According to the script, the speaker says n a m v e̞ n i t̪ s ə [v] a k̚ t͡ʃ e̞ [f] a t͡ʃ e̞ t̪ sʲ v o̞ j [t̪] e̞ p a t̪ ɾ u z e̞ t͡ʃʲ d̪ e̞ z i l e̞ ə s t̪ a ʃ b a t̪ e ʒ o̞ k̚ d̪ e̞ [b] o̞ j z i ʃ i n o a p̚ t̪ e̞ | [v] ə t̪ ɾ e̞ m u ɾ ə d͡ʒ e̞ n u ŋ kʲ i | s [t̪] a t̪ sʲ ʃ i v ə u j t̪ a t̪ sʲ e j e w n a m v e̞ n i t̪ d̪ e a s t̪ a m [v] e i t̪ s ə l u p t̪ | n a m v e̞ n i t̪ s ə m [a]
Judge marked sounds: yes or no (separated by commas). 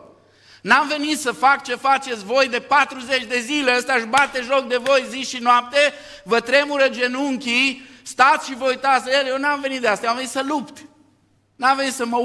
no, yes, no, no, yes, yes, yes, no